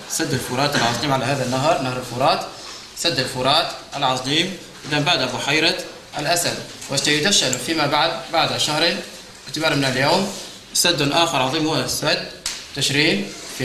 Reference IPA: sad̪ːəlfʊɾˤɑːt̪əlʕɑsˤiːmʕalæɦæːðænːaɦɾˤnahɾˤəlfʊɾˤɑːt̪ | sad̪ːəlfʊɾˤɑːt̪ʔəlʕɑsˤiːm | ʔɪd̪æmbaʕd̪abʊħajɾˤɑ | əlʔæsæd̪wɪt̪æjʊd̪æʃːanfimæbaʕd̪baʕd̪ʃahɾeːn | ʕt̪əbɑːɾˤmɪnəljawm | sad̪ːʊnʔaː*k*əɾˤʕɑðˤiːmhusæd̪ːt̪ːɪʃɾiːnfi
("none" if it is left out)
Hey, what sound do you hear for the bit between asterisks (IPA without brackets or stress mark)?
x